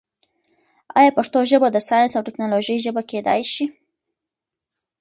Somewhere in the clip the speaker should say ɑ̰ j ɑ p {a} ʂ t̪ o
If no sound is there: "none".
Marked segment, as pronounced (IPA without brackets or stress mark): a